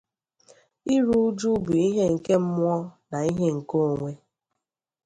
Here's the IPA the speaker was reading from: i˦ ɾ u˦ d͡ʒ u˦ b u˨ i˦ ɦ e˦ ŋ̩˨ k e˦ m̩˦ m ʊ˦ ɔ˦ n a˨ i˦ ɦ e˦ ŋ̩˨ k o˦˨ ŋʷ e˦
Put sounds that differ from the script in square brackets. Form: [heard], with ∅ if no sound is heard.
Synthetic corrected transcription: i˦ ɾ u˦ d͡ʒ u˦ b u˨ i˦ ɦ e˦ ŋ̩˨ k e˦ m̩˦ m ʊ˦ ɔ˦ n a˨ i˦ ɦ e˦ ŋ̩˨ k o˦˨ ŋʷ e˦